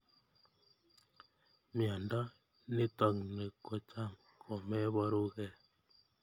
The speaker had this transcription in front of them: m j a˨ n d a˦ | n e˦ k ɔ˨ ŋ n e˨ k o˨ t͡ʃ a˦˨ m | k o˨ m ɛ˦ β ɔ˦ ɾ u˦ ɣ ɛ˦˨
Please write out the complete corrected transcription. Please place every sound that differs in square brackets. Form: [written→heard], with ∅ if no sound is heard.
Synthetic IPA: m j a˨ n d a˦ | n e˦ [k→t] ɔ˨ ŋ n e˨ k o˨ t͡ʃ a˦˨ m | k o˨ m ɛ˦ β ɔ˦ ɾ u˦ ɣ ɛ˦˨